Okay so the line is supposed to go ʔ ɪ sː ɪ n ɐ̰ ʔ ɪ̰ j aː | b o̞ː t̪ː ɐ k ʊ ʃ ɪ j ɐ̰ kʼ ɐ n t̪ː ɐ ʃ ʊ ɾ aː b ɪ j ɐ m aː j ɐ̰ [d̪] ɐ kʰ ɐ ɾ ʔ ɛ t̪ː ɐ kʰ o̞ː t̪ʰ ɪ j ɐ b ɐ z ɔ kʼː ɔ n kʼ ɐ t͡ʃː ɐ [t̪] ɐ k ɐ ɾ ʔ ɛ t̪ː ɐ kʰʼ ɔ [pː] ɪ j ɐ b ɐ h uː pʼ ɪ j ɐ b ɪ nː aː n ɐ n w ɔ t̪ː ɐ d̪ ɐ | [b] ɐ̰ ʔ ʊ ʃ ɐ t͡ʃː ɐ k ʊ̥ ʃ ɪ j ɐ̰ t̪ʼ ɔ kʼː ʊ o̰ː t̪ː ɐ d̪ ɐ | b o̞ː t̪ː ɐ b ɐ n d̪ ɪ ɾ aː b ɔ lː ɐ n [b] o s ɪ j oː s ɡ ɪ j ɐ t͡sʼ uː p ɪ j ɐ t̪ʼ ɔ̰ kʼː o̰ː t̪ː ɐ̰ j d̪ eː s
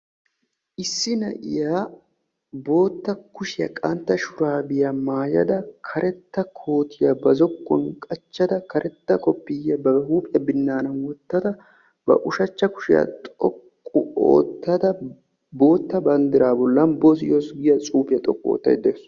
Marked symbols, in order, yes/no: yes, no, yes, yes, yes

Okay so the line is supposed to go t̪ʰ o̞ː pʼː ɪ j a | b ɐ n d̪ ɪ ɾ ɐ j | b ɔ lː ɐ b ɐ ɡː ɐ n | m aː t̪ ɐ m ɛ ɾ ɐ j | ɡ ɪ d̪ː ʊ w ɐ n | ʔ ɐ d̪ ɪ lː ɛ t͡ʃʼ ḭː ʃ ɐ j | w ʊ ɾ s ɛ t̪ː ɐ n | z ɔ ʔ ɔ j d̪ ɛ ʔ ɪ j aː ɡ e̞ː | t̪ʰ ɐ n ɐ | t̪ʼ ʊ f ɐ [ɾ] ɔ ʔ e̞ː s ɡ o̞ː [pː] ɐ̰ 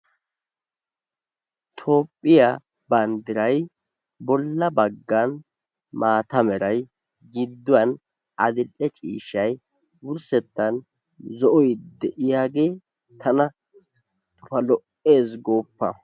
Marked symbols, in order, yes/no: no, yes

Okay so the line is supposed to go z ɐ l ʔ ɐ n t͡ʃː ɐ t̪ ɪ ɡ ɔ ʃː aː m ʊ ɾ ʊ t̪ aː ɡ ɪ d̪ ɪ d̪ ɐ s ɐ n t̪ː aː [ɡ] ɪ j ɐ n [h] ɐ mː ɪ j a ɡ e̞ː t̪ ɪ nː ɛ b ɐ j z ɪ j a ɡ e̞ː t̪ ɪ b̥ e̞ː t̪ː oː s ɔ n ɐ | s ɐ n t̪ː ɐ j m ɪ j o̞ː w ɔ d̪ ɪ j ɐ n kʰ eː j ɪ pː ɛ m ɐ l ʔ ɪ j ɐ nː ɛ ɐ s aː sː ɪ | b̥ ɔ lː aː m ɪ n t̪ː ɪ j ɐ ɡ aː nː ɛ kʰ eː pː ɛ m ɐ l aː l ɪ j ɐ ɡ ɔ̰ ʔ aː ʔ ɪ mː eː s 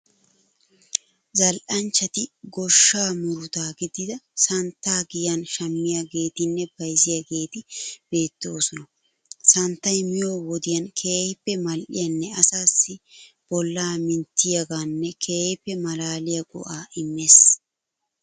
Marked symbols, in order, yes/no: yes, no

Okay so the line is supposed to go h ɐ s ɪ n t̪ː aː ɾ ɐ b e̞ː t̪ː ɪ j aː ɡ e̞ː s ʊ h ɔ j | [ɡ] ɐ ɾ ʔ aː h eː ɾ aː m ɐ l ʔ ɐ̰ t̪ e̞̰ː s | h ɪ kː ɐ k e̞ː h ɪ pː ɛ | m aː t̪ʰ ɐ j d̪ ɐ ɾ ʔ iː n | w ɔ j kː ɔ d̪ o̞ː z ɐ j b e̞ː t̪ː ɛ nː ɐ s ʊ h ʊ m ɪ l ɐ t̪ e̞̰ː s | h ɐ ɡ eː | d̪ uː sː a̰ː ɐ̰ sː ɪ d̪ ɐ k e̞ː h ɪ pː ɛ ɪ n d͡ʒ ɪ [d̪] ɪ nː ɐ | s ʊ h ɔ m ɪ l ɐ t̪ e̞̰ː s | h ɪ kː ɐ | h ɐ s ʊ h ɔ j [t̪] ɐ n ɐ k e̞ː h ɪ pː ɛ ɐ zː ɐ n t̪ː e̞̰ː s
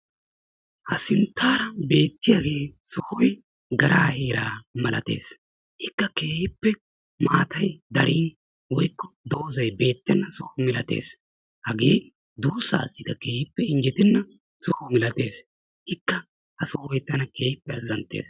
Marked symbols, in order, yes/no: yes, no, yes

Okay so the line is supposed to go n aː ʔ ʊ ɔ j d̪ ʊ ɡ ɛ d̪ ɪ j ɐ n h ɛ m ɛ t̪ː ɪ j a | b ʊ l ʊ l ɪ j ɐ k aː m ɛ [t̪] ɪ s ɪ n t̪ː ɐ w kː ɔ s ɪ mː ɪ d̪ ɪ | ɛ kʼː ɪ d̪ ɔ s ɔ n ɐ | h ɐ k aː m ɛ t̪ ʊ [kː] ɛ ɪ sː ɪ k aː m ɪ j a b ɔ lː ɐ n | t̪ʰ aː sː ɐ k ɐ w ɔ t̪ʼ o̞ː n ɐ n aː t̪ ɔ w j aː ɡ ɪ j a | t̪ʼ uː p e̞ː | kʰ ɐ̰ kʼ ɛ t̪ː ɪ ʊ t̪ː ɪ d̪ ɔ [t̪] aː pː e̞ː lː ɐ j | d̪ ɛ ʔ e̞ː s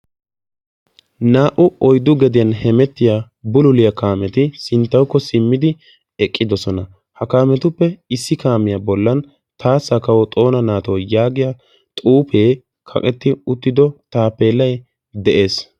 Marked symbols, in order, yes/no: yes, no, yes

